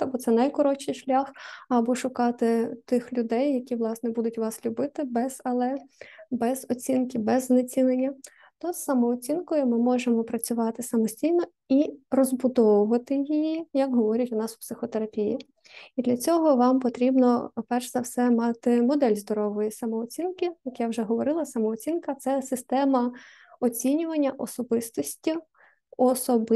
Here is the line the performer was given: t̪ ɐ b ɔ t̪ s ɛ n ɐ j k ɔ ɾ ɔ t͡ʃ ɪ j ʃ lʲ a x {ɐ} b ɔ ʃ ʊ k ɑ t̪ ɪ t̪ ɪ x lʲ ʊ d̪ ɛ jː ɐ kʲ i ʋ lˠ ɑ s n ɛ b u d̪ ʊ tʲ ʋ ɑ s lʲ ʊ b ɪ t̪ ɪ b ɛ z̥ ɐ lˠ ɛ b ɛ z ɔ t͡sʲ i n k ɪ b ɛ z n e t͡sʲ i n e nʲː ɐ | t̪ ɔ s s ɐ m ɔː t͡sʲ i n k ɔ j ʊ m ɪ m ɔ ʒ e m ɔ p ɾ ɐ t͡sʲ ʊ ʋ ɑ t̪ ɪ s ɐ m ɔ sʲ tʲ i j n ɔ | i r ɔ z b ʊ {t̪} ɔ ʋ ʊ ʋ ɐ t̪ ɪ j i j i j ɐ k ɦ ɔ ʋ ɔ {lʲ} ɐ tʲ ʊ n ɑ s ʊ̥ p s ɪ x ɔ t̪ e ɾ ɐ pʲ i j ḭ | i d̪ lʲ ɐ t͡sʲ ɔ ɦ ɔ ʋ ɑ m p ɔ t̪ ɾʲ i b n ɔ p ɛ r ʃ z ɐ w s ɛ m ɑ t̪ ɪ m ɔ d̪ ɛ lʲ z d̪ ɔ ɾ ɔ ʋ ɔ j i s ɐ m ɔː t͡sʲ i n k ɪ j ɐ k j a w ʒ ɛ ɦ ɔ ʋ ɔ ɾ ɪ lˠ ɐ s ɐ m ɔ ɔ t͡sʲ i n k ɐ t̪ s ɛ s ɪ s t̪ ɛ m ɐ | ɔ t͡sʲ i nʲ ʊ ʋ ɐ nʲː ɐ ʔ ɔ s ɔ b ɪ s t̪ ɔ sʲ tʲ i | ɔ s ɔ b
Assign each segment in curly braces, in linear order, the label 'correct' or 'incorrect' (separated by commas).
correct, incorrect, incorrect